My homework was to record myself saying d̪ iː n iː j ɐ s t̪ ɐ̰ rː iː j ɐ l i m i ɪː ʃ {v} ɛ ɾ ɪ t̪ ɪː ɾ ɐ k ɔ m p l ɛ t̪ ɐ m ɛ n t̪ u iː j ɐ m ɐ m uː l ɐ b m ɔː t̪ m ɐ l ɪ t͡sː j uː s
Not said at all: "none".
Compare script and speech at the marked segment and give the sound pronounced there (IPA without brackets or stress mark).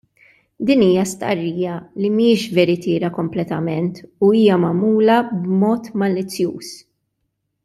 v